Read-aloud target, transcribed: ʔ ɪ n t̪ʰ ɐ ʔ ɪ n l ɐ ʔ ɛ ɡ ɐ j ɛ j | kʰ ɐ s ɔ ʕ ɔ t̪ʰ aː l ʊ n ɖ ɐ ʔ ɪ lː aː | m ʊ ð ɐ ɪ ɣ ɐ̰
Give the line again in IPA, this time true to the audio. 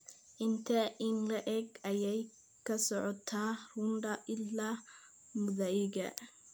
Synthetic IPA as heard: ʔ ɪ n t̪ʰ ɐ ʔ ɪ n l ɐ ʔ ɛ ɡ ɐ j ɛ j | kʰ ɐ s ɔ ʕ ɔ t̪ʰ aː r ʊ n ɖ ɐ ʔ ɪ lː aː | m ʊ ð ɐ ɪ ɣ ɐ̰

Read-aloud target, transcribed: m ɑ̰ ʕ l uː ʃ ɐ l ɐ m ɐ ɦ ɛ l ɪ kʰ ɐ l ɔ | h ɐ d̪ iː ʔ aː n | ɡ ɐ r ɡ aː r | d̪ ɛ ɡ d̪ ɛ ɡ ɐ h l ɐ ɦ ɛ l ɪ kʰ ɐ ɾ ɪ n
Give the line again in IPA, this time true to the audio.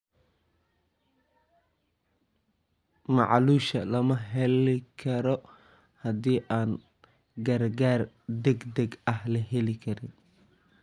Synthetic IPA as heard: m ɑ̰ ʕ l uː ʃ ɐ l ɐ m ɐ ɦ ɛ l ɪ kʰ ɐ ɾ ɔ | h ɐ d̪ iː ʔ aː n | ɡ ɐ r ɡ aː r | d̪ ɛ ɡ d̪ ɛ ɡ ɐ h l ɐ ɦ ɛ l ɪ kʰ ɐ ɾ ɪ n

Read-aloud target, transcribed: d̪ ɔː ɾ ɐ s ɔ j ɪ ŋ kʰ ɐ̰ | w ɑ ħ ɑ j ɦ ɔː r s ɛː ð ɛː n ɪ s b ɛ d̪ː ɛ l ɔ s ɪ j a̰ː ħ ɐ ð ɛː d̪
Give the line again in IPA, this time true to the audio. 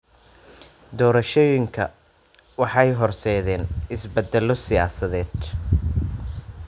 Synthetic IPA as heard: d̪ ɔː ɾ ɐ ʃ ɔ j ɪ ŋ kʰ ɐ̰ | w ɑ ħ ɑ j ɦ ɔ r s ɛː ð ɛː n ɪ s b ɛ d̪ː ɛ l ɔ s ɪ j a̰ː s ɐ ð ɛː d̪

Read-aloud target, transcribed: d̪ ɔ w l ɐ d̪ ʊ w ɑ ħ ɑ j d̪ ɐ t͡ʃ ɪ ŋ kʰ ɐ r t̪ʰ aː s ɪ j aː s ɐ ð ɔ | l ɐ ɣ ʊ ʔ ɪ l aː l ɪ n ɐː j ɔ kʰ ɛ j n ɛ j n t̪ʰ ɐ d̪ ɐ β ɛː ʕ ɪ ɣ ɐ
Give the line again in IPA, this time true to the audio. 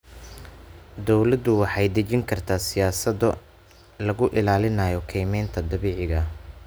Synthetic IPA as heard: d̪ ɔ w l ɐ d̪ ʊ w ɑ ħ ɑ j d̪ ɐ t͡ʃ ɪ ŋ kʰ ɐ r t̪ʰ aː s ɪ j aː s ɐ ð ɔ | l ɐ ɣ ʊ ʔ ɪ l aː l ɪ n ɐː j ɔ kʰ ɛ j m ɛ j n t̪ʰ ɐ d̪ ɐ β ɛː ʕ ɪ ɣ ɐ

